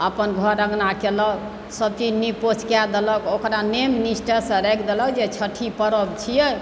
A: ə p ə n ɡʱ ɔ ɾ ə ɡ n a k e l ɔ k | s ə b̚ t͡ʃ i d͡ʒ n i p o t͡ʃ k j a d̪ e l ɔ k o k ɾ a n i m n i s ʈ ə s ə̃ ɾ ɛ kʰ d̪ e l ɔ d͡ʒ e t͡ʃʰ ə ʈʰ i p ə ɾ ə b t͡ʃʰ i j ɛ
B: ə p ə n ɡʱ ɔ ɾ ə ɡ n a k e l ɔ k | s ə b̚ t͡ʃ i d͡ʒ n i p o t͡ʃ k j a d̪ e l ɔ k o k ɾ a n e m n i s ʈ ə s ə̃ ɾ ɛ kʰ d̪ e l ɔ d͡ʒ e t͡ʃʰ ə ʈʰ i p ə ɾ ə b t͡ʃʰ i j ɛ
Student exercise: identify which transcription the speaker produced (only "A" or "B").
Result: B